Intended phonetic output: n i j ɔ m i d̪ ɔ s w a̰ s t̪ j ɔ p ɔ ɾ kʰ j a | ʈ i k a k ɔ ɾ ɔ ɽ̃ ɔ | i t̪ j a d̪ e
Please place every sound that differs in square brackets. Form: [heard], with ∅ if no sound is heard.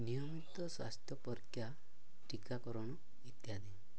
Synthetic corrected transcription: n i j ɔ m i [t̪] ɔ s w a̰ s t̪ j ɔ p ɔ ɾ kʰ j a | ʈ i k a k ɔ ɾ ɔ ɽ̃ ɔ | i t̪ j a d̪ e